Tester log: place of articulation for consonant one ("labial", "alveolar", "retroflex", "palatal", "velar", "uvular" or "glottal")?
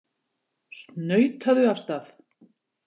alveolar